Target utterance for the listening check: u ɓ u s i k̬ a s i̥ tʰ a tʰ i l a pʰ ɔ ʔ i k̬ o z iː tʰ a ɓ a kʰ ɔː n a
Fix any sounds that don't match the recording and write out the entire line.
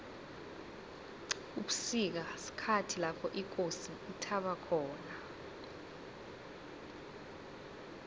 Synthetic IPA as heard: u ɓ u s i k̬ a s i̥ kʰ a tʰ i l a pʰ ɔ ʔ i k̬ o s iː tʰ a ɓ a kʰ ɔː n a